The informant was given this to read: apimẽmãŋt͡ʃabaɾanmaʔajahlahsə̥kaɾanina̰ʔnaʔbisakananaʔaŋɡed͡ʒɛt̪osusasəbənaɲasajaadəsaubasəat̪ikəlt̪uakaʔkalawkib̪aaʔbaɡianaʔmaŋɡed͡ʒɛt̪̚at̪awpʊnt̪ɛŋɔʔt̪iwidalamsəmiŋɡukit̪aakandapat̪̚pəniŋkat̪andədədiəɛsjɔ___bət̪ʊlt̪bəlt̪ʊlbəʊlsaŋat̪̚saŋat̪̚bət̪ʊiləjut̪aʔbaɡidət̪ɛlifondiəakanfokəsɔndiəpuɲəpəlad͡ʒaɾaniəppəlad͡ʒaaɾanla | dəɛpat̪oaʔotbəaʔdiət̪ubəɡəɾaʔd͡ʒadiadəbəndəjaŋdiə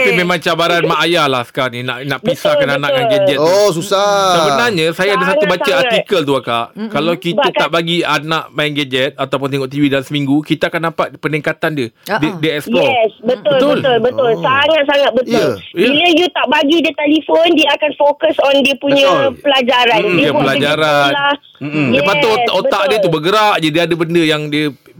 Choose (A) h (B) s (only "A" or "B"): B